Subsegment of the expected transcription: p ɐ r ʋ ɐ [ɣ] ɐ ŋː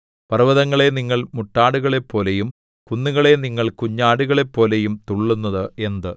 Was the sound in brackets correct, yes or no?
no